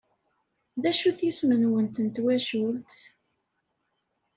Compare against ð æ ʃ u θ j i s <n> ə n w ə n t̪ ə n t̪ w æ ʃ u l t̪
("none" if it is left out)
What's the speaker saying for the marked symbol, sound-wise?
m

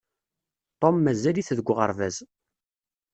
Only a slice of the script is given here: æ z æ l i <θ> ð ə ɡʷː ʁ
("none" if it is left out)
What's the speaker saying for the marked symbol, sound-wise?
θ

